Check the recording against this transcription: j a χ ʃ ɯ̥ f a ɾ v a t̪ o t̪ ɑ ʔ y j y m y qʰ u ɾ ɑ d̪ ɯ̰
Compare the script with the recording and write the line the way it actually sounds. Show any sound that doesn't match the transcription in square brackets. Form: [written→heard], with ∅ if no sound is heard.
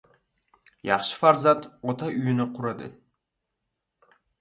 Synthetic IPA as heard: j [a→ɑ] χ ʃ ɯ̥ f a ɾ [v→z] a t̪ o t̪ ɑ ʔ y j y [m→n] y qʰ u ɾ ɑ d̪ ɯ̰